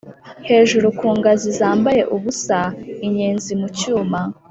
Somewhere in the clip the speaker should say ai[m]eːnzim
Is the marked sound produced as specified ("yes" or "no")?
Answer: no